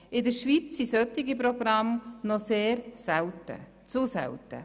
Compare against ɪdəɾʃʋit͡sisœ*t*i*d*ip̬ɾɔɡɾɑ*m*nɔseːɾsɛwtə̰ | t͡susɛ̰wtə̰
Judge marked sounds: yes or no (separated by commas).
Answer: yes, no, yes